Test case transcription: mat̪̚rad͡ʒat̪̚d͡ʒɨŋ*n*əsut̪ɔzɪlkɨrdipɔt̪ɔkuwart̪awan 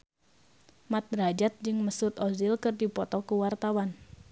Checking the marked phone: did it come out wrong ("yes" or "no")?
yes